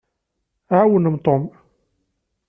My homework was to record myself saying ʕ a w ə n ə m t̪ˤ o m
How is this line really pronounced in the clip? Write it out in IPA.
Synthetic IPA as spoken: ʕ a w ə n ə m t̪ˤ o m